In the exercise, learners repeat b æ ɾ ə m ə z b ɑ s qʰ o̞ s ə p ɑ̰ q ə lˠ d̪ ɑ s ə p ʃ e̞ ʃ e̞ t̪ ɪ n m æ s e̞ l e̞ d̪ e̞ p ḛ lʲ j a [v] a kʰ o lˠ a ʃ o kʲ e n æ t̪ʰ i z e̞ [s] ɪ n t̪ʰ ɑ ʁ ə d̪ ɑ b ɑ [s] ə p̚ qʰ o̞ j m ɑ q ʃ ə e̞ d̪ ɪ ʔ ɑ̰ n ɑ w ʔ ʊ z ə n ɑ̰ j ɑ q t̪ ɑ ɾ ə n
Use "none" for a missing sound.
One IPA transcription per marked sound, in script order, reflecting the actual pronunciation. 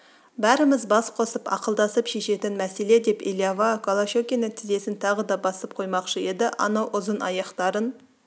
v, s, s

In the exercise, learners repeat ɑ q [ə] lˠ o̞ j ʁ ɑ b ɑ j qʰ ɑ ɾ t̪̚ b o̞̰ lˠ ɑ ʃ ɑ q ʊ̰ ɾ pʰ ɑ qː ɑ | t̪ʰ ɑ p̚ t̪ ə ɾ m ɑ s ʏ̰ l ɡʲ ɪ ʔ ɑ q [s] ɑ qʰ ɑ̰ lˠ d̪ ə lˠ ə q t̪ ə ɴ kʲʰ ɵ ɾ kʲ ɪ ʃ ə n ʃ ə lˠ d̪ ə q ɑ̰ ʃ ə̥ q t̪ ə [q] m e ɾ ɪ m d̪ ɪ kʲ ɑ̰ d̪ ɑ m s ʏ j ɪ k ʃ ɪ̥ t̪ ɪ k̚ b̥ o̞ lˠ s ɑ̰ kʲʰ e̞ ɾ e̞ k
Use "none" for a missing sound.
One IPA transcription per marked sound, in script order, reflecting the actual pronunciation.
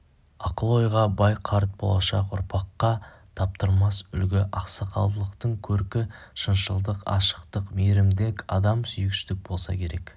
ə, s, q

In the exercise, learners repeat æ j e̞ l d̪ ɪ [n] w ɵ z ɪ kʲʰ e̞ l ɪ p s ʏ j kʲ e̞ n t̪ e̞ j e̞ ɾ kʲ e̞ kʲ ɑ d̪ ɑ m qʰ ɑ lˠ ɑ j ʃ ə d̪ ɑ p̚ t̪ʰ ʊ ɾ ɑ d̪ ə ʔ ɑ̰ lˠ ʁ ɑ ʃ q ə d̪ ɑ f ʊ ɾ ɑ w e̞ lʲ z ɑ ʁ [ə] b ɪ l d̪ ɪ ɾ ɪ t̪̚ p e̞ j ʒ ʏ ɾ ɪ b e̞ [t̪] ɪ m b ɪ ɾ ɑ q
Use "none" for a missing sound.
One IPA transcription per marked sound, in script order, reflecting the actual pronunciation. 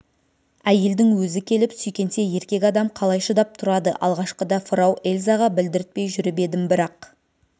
ŋ, ɑ, d̪

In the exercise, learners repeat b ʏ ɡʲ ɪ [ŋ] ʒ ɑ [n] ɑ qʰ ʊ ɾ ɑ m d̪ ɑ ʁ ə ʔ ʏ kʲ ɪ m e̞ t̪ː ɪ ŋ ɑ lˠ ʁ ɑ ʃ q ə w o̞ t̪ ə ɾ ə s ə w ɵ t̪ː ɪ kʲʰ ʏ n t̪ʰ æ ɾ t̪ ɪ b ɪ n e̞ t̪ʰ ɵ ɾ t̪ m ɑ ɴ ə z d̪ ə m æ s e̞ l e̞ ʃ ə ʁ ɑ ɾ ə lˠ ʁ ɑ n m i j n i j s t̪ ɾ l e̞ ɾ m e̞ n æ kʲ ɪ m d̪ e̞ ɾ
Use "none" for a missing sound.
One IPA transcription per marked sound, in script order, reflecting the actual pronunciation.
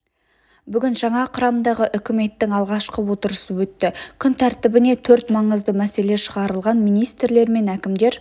n, ɴ

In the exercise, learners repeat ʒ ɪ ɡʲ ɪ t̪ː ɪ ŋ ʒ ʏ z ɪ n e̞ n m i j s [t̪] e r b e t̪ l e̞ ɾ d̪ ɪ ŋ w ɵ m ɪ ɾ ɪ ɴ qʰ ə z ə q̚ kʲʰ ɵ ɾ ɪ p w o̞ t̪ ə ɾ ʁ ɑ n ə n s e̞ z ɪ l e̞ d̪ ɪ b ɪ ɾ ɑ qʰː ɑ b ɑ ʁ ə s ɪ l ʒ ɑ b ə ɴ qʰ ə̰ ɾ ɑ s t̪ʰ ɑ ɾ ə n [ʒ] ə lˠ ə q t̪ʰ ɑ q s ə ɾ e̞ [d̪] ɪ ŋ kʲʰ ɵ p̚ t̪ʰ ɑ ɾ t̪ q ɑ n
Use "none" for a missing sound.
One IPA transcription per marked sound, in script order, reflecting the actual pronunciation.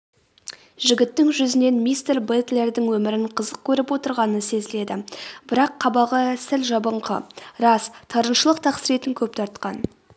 t̪, ʃ, t̪

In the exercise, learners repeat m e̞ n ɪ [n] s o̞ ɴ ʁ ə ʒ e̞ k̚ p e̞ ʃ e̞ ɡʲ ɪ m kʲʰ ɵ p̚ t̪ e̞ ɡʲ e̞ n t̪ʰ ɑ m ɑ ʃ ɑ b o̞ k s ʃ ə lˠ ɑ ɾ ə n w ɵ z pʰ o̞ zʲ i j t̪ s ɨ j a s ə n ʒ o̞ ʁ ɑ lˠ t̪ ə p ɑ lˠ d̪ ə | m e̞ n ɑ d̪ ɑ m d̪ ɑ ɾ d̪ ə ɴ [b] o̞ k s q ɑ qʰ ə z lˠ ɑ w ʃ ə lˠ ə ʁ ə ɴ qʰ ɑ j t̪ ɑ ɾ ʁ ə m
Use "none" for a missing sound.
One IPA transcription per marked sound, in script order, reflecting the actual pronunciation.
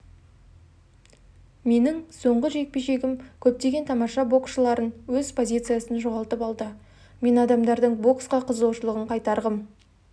ŋ, b

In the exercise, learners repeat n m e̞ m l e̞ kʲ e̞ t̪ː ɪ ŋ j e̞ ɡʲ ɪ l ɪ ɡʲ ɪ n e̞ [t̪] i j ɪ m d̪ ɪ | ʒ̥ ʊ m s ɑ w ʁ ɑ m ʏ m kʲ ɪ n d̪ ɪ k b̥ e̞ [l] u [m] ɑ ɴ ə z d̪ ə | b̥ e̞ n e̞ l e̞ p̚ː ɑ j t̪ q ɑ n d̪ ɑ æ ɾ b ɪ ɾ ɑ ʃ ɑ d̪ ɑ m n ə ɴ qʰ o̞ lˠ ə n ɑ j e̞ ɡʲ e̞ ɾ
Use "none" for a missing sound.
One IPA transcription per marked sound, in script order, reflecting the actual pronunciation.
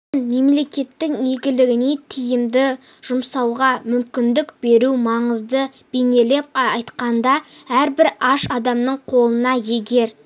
t̪ʰ, ɾ, m

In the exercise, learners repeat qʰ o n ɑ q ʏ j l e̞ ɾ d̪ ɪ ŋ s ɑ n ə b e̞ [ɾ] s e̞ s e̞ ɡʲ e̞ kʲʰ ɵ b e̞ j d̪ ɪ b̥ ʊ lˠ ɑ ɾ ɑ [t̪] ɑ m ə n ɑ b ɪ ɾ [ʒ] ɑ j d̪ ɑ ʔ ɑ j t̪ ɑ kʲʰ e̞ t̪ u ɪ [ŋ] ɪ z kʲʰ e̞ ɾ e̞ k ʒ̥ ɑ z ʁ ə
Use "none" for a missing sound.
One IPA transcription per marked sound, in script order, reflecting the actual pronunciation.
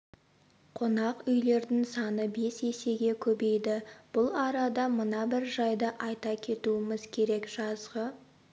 none, d̪, ʒ, m

